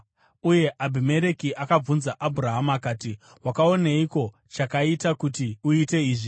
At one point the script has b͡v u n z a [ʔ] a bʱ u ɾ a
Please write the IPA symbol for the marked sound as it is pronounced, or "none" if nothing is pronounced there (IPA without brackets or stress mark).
ʔ